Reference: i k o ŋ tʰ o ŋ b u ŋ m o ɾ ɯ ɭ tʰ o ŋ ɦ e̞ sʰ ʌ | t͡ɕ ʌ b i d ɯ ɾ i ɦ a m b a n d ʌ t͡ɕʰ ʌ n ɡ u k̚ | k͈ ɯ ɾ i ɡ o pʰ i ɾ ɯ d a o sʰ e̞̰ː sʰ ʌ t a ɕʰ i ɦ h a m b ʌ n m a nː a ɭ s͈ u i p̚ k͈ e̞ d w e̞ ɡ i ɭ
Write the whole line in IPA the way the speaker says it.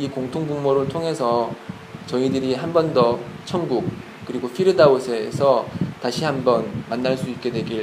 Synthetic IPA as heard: i k o ŋ tʰ o ŋ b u ŋ m o ɾ ɯ ɭ tʰ o ŋ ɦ e̞ sʰ ʌ | t͡ɕ ʌ i d ɯ ɾ i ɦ a m b ʌ n d ʌ t͡ɕʰ ʌ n ɡ u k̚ | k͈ ɯ ɾ i ɡ o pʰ i ɾ ɯ d a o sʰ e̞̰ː sʰ ʌ t a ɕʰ i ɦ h a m b ʌ n m a nː a ɭ s͈ u i p̚ k͈ e̞ d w e̞ ɡ i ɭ